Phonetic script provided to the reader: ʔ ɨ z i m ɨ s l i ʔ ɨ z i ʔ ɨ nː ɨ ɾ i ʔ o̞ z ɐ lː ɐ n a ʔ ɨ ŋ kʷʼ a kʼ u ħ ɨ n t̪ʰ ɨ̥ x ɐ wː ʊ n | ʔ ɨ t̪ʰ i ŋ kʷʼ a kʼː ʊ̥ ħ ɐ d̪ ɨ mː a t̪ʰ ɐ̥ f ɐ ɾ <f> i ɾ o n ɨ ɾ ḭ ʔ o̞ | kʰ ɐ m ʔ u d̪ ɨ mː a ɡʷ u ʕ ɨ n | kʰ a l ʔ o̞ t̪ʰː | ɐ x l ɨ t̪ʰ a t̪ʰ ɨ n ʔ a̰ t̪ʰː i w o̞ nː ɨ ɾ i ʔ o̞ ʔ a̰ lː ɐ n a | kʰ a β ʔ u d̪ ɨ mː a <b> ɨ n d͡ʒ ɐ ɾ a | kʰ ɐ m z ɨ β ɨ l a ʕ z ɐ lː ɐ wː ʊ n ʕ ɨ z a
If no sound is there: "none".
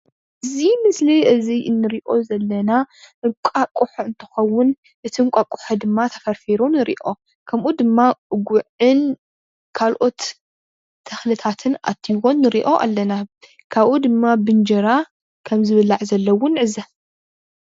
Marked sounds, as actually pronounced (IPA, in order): f, b

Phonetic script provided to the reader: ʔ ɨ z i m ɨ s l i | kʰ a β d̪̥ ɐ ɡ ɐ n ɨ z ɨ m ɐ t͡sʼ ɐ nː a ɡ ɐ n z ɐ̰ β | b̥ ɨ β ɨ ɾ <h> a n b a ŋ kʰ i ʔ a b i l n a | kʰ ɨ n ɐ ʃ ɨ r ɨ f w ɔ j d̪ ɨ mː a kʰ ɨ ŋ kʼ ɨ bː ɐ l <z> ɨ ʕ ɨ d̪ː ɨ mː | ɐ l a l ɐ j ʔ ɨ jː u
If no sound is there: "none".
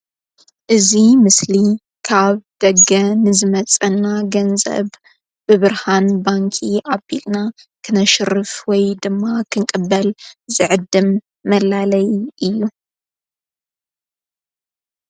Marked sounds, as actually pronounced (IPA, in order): h, z

